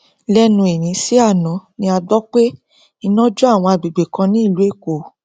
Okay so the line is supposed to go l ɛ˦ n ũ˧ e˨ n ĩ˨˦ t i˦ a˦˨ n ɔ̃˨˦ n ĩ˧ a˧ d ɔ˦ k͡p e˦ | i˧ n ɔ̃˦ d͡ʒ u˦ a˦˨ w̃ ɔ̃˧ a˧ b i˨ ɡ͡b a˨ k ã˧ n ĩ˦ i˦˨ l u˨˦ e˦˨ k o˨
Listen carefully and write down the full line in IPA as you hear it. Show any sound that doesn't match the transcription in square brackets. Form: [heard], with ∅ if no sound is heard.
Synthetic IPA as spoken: l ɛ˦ n ũ˧ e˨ n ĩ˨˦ [s] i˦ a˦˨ n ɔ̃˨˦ n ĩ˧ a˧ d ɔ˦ k͡p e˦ | i˧ n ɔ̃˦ d͡ʒ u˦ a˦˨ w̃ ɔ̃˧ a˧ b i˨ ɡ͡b [e˨] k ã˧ n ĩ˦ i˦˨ l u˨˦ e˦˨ k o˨